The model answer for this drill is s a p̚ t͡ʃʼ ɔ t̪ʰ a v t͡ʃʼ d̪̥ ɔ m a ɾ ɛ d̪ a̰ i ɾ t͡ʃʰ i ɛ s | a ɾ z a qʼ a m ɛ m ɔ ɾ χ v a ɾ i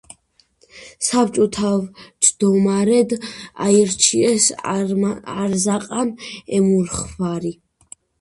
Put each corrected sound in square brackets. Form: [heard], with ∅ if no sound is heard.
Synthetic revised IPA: s a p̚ t͡ʃʼ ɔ t̪ʰ a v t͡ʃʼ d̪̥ ɔ m a ɾ ɛ d̪ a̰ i ɾ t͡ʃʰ i ɛ s | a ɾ z a qʼ a [n] ɛ m [u] ɾ χ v a ɾ i